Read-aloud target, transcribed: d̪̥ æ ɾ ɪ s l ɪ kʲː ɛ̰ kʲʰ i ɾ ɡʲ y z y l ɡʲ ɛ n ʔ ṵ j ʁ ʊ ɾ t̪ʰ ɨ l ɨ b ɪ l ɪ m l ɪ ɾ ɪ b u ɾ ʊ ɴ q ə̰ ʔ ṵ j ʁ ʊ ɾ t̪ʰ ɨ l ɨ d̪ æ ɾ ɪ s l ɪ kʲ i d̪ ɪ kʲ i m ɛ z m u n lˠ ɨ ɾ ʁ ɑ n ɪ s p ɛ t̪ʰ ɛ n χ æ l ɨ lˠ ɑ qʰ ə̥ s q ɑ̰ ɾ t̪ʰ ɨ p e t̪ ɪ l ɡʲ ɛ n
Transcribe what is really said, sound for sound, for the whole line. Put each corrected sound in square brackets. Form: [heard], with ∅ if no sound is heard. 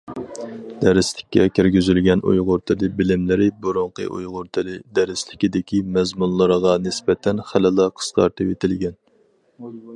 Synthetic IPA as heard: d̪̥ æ ɾ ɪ s l ɪ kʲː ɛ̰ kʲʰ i ɾ ɡʲ y z y l ɡʲ ɛ n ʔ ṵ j ʁ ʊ ɾ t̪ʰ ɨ l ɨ b ɪ l ɪ m l ɪ ɾ ɪ b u ɾ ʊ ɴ q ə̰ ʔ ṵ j ʁ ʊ ɾ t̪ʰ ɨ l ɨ d̪ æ ɾ ɪ s l ɪ kʲ i d̪ ɪ kʲ i m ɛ z m u n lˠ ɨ ɾ ʁ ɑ n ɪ s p ɛ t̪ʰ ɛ n χ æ l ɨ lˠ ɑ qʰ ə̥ s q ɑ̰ ɾ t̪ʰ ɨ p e t̪ ɪ l ɡʲ ɛ n